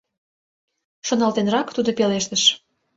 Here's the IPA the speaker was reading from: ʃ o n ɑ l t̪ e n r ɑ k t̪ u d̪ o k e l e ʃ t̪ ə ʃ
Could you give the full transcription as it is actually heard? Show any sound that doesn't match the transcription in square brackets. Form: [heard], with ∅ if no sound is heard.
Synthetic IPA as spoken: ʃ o n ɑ l t̪ e n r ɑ k t̪ u d̪ o [p] e l e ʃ t̪ ə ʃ